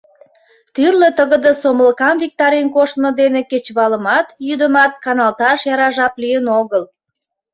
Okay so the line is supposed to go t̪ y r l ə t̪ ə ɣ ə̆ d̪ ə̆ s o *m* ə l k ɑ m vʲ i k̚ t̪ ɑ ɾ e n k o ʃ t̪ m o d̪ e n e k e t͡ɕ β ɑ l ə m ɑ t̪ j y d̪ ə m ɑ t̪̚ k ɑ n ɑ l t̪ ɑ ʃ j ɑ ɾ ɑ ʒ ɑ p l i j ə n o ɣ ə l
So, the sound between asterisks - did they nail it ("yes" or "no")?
yes